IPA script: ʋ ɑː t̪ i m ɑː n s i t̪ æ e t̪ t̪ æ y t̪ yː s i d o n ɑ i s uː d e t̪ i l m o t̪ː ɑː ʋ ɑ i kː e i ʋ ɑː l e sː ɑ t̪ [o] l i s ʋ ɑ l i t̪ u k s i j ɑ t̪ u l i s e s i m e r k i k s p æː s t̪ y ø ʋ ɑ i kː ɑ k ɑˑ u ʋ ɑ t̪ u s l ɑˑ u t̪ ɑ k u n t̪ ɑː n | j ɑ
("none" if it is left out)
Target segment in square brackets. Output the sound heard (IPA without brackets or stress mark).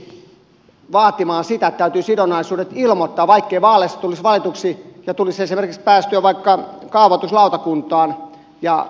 u